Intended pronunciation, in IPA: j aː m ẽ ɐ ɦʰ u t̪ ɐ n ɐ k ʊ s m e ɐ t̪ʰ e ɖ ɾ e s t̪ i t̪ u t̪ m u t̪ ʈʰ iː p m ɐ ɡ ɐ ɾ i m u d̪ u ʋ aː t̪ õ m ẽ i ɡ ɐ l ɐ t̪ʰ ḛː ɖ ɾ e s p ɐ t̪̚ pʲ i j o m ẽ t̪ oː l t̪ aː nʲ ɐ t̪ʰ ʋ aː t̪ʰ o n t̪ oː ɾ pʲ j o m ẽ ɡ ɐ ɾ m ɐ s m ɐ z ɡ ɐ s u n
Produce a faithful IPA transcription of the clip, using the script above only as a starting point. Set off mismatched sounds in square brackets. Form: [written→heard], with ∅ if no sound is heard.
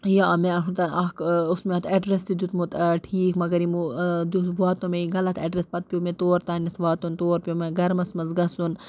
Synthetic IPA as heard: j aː m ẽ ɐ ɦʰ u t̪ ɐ n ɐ k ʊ s m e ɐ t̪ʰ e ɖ ɾ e s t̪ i [t̪→d̪] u t̪ m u t̪ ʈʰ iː [p→k] m ɐ ɡ ɐ ɾ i m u d̪ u ʋ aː t̪ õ m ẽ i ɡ ɐ l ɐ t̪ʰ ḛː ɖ ɾ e s p ɐ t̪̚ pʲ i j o m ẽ t̪ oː [l→ɾ] t̪ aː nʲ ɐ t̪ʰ ʋ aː [t̪ʰ→t̪] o n t̪ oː ɾ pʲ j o m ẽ ɡ ɐ ɾ m ɐ s m ɐ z ɡ ɐ s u n